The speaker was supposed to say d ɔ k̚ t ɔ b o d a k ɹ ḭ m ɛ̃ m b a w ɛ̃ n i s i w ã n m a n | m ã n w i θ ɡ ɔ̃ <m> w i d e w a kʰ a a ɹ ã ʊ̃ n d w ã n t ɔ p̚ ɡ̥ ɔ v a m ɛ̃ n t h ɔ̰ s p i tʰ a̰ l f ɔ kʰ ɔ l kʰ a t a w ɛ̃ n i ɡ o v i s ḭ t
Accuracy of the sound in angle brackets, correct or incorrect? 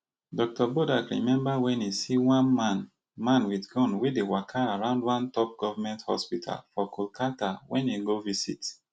incorrect: n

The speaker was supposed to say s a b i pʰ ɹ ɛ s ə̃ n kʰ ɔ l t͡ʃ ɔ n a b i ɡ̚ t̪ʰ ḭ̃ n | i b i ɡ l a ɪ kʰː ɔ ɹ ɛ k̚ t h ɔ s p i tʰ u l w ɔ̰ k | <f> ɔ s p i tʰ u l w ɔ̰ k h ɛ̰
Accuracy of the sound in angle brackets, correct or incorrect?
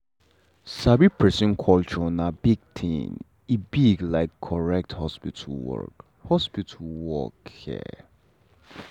incorrect: h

